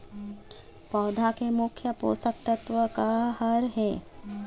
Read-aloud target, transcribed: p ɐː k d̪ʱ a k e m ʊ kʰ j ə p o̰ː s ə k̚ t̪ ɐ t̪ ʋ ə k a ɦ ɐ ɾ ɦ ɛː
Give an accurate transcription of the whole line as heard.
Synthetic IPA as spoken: p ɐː d̪ʱ a k e m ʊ kʰ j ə p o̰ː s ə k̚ t̪ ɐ t̪ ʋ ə k a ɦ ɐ ɾ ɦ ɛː